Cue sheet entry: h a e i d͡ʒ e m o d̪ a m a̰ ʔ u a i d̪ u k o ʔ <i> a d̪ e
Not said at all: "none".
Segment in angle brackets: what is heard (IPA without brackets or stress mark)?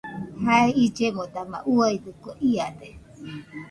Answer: i